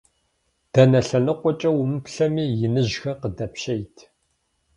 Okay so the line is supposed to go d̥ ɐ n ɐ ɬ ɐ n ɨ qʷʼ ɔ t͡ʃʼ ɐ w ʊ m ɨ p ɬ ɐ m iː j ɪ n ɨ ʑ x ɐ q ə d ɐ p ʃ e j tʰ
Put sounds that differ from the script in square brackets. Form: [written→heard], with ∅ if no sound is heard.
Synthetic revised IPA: d̥ ɐ n ɐ ɬ ɐ n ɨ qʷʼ ɔ t͡ʃʼ ɐ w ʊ m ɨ p ɬ ɐ m iː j ɪ n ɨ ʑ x ɐ q ə d ɐ p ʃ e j tʰ